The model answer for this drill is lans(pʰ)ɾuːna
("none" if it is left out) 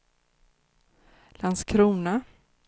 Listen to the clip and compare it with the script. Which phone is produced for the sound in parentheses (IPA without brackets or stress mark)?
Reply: kʰ